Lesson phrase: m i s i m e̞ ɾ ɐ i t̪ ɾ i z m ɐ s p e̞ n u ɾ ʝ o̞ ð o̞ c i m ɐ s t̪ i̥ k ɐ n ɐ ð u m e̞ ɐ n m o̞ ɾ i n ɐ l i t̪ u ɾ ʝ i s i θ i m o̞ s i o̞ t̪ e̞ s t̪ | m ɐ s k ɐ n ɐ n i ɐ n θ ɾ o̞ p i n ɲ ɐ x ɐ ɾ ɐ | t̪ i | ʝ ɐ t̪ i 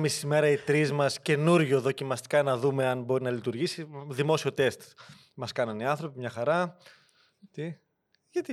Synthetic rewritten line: m i s i m e̞ ɾ ɐ i t̪ ɾ i z m ɐ s c e̞ n u ɾ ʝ o̞ ð o̞ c i m ɐ s t̪ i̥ k ɐ n ɐ ð u m e̞ ɐ n b o̞ ɾ i n ɐ l i t̪ u ɾ ʝ i s i ð i m o̞ s i o̞ t̪ e̞ s t̪ | m ɐ s k ɐ n ɐ n i ɐ n θ ɾ o̞ p i m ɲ ɐ x ɐ ɾ ɐ | t̪ i | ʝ ɐ t̪ i